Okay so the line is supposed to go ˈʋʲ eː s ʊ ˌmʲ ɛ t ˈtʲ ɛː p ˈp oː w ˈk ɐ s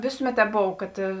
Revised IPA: ˈʋʲ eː s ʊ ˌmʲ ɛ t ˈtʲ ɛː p ˈb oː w ˈk ɐ t